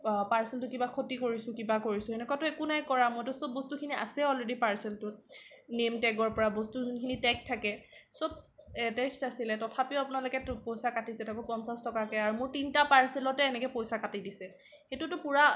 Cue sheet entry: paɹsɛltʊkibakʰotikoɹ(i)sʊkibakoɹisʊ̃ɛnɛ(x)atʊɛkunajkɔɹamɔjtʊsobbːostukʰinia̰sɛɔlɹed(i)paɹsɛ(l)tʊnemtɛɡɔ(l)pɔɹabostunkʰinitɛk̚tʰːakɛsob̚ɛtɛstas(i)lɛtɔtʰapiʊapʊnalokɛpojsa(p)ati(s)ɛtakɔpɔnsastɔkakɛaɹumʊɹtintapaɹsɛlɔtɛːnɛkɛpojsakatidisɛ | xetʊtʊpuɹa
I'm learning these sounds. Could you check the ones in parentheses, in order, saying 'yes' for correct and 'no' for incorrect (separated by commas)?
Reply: yes, no, yes, yes, no, yes, no, yes